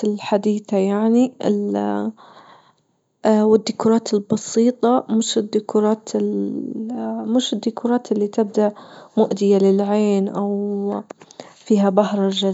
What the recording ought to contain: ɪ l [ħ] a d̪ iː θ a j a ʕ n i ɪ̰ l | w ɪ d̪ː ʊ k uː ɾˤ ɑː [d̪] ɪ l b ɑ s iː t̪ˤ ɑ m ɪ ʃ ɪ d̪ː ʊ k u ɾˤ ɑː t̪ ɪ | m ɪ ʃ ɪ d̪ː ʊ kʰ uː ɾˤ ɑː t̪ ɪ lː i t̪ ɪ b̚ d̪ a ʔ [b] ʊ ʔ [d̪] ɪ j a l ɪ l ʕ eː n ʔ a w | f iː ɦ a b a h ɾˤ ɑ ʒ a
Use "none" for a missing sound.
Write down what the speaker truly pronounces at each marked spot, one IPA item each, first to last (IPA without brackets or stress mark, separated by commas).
ħ, t̪, m, d̪